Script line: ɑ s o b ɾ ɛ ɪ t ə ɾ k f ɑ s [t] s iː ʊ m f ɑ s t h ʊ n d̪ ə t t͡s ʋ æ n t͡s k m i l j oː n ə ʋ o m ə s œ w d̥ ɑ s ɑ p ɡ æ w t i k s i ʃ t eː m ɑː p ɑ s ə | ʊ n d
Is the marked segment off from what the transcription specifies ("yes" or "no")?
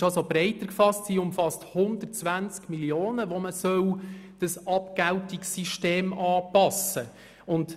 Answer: no